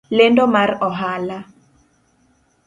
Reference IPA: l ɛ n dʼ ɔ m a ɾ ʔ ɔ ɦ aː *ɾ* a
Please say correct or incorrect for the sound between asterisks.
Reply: incorrect: l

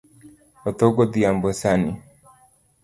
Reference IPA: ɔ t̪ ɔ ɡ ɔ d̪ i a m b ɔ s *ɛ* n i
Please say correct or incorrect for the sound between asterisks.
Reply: incorrect: a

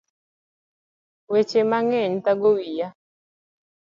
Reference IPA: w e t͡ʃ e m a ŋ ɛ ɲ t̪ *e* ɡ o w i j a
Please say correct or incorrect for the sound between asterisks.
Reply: incorrect: a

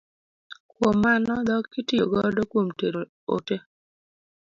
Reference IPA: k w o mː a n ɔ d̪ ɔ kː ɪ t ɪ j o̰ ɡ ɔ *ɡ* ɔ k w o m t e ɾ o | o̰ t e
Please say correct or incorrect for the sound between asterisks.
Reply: incorrect: d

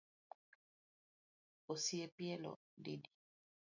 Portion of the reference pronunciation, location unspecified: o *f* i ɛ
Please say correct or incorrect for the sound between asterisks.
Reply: incorrect: s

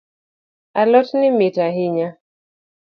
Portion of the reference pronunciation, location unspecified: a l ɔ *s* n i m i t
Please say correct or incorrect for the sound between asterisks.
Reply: incorrect: t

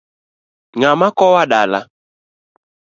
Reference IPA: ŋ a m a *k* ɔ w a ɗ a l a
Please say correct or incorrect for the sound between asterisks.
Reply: correct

